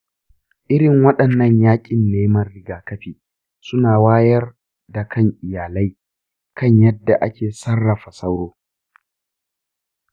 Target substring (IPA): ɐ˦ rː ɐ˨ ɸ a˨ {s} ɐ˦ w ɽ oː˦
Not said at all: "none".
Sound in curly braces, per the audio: s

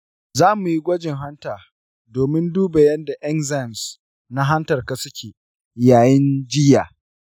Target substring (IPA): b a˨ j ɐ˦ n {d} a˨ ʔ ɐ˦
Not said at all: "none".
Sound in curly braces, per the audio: d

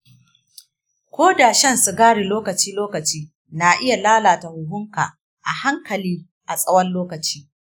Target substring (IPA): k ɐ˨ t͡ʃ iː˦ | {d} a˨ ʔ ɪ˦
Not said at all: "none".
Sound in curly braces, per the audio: n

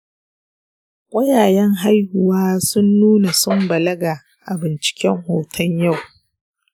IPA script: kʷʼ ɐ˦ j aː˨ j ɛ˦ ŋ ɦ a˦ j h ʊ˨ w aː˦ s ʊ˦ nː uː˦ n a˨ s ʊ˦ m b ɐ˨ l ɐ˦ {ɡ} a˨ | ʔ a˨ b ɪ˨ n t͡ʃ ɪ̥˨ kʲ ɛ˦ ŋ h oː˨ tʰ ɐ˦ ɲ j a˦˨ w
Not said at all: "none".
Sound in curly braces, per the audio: ɡ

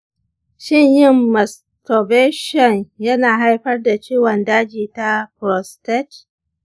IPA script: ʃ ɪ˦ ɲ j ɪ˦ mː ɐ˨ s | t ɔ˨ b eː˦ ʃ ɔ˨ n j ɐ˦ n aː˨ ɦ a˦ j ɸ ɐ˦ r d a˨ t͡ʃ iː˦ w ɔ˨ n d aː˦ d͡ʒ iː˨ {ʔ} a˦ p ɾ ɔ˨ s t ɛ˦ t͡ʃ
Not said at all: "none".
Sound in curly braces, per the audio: t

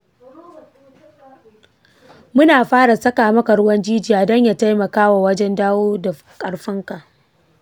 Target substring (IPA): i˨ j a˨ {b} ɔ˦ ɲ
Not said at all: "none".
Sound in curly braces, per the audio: d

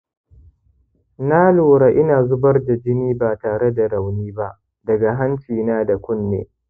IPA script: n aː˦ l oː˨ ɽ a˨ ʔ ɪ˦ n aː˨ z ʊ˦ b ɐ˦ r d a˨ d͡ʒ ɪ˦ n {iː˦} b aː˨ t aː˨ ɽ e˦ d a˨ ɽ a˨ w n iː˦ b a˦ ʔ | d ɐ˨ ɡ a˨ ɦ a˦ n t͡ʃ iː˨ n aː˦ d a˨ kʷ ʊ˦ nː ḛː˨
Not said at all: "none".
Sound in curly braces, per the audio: iː˦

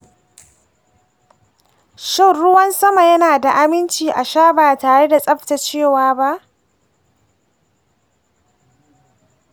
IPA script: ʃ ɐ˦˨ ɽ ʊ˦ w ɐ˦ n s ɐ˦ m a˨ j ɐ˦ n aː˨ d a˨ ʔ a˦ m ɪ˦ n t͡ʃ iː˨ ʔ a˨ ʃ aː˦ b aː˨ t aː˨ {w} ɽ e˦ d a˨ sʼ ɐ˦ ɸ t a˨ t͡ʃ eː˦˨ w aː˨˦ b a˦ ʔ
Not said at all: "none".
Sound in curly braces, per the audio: none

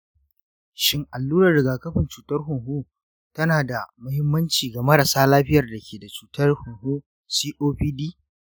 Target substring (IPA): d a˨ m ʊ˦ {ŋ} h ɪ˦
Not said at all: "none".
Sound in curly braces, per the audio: none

